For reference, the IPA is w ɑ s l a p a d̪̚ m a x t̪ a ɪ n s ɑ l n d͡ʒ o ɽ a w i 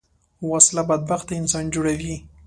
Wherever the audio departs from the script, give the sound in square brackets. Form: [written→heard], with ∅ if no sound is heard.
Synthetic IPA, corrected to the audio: w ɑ s l a [p→b] a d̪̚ [m→b] a x t̪ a ɪ n s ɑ [l→∅] n d͡ʒ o ɽ a w i